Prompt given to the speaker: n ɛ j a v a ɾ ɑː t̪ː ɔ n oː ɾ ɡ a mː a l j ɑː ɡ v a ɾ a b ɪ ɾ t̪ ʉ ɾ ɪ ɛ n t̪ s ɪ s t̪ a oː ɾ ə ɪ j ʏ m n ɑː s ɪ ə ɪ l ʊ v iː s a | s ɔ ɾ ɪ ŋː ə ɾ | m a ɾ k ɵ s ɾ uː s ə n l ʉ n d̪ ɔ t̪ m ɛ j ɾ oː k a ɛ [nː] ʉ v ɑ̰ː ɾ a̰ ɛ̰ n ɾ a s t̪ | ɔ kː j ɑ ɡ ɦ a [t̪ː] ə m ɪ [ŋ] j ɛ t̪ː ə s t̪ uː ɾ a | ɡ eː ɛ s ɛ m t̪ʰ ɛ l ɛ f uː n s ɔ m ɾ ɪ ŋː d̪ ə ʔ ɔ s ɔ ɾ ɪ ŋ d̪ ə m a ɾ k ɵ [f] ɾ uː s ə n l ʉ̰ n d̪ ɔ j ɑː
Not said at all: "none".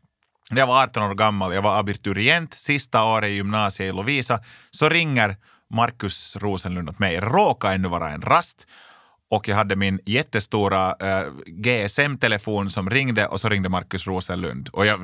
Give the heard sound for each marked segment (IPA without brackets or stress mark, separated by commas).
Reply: nː, d̪ː, n, s